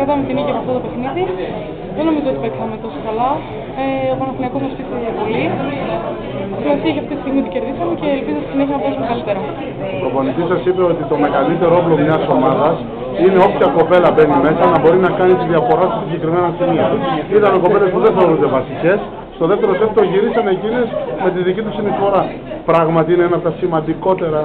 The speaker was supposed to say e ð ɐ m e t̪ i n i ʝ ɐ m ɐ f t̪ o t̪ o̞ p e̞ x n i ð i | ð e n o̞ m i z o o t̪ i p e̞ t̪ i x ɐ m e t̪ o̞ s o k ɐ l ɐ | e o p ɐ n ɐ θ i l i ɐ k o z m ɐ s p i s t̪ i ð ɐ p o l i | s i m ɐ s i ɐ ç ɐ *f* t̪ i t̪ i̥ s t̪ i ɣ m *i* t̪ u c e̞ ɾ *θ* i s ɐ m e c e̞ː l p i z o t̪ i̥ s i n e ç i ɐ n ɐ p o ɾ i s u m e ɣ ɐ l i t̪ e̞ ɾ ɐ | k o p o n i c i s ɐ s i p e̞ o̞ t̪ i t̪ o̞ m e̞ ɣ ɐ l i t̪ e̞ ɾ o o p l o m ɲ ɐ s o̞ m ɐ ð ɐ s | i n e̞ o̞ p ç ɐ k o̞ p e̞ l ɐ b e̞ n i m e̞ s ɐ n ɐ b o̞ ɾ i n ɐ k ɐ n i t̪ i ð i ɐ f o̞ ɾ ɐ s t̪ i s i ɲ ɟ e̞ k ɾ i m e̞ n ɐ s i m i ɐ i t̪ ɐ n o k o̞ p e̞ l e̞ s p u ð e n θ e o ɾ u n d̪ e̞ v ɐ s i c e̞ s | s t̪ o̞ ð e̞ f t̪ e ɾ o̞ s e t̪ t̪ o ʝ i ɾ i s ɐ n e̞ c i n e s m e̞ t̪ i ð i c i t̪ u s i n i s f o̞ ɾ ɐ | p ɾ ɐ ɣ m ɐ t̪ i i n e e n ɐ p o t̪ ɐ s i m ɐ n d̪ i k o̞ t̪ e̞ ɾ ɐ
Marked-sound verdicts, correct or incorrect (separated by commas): correct, correct, incorrect